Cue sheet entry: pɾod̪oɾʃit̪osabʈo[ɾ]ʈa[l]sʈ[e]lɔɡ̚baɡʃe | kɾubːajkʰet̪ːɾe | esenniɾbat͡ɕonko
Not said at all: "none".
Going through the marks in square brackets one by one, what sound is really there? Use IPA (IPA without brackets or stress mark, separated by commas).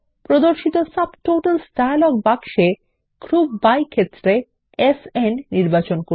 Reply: none, l, a